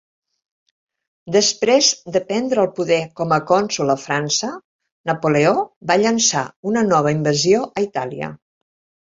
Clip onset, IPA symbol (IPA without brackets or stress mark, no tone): d̪